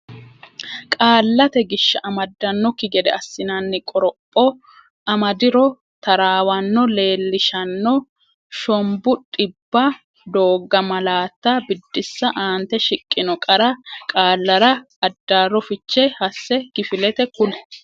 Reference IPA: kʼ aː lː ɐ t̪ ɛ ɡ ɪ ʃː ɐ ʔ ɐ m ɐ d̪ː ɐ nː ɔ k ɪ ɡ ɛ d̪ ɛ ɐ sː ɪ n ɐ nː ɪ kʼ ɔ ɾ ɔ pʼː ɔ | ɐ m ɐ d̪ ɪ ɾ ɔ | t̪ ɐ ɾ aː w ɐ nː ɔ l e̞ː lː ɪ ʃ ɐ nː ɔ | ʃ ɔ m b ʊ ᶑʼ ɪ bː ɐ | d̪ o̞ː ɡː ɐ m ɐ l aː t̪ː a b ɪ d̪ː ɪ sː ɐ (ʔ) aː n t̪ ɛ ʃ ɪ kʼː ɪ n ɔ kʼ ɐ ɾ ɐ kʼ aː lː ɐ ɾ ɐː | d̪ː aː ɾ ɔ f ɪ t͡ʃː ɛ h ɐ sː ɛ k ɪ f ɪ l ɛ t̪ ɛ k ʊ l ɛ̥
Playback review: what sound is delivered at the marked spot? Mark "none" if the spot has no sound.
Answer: ʔ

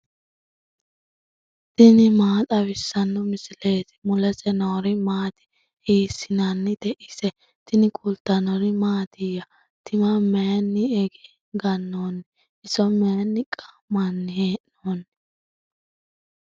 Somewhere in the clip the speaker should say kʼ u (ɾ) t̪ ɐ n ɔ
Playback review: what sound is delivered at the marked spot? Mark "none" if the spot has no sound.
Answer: l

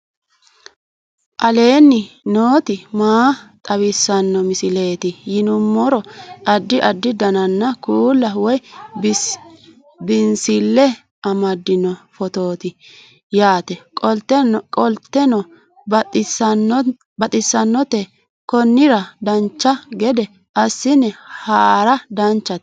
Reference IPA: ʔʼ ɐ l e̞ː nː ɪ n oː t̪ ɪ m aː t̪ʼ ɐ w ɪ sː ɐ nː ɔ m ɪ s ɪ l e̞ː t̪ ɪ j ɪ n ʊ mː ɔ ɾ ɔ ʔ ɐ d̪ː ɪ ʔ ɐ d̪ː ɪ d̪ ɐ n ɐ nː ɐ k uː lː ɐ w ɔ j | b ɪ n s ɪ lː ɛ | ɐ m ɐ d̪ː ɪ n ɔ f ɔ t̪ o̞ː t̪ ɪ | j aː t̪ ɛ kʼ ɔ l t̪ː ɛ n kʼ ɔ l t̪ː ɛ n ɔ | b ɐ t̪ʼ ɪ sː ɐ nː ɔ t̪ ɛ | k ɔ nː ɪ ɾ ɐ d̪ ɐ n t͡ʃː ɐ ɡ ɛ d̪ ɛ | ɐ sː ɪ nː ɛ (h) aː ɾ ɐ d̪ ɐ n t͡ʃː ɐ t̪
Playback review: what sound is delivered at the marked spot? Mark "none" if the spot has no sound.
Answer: h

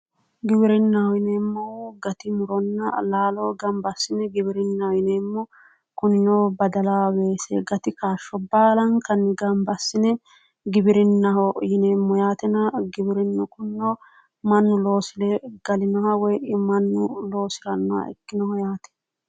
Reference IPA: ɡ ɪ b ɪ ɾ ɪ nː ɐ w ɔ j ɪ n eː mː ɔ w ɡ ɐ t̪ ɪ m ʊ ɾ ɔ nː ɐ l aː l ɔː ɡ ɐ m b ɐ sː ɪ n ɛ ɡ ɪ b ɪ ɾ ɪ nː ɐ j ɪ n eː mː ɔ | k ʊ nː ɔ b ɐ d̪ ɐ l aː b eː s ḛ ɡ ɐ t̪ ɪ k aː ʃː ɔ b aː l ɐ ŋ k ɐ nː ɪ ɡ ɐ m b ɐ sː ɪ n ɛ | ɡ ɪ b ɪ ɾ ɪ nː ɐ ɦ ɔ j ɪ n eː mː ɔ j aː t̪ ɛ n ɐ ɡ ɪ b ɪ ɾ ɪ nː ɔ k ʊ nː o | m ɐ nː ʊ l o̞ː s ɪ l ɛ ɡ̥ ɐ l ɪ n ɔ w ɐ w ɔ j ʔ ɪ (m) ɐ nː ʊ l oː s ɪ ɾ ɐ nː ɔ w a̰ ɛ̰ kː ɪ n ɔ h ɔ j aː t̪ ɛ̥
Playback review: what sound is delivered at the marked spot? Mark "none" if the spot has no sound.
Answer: m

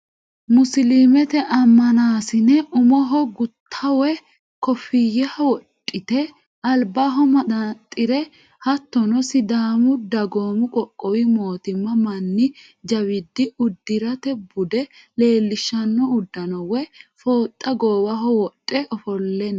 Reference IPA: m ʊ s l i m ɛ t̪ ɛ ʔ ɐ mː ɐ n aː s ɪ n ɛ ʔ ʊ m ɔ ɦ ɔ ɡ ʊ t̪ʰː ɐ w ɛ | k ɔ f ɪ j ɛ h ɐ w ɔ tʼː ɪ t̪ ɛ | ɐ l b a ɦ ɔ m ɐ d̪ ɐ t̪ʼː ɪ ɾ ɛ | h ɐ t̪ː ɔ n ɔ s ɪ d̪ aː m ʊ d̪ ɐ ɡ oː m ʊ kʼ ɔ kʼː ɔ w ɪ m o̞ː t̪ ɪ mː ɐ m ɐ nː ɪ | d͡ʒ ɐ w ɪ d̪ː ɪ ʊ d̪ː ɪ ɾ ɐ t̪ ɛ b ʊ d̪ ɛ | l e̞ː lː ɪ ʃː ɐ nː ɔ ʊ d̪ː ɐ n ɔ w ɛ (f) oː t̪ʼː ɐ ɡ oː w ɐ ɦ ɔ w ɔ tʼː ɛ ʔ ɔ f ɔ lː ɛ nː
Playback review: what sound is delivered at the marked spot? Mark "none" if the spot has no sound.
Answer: f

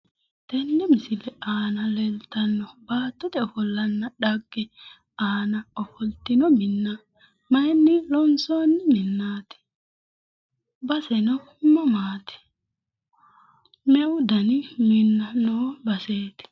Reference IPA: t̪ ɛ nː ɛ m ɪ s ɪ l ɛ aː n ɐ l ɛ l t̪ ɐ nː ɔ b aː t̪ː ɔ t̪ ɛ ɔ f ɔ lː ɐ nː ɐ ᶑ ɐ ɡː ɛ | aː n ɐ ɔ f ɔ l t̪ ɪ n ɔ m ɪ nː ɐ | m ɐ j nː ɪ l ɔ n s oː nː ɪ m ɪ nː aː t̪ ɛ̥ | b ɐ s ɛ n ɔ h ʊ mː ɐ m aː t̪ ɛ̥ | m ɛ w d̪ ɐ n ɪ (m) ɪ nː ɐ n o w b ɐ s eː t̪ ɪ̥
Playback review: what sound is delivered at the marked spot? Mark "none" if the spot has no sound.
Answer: m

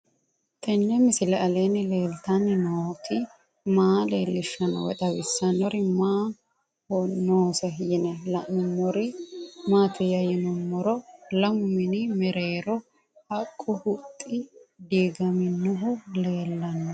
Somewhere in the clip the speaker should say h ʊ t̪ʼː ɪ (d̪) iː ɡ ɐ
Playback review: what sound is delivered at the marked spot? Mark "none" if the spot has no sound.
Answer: d̪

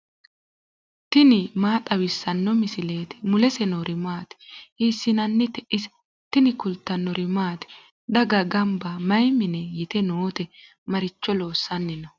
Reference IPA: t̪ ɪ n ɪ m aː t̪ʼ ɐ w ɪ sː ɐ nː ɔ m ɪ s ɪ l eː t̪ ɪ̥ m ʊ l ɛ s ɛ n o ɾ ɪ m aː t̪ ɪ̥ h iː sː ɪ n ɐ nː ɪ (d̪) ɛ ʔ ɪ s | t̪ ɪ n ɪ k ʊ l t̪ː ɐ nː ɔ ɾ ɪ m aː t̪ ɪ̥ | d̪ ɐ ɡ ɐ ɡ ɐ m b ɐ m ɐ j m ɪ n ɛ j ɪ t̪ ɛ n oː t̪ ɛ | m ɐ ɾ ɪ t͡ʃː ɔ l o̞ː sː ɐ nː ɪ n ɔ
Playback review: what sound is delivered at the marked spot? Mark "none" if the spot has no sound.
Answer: t̪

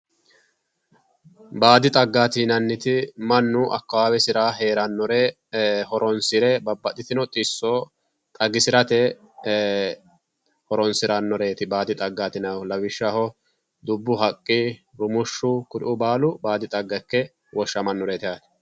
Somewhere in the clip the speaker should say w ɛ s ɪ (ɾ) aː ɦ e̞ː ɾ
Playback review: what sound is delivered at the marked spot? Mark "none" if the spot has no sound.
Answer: ɾ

